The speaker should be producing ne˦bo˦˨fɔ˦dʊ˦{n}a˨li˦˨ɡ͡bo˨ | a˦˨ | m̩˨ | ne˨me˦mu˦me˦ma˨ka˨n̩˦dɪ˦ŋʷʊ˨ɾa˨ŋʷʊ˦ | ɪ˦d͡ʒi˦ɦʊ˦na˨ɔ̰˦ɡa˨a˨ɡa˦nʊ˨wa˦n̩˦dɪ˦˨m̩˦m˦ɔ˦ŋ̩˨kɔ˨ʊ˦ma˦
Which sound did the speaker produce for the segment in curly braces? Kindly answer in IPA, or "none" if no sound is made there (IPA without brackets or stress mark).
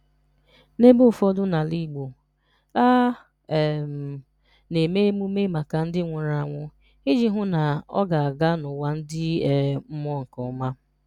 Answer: n